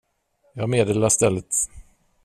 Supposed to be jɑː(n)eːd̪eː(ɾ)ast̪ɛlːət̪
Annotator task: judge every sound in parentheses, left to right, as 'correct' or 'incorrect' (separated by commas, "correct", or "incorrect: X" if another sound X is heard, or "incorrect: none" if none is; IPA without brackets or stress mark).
incorrect: m, incorrect: l